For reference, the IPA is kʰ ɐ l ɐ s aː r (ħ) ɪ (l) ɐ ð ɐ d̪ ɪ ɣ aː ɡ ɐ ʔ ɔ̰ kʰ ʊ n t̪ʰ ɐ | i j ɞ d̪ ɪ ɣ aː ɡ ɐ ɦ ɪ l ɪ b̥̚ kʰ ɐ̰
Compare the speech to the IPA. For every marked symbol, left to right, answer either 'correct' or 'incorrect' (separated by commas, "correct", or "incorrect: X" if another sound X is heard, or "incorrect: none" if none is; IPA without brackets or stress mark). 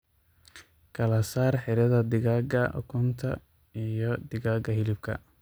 correct, incorrect: ɾ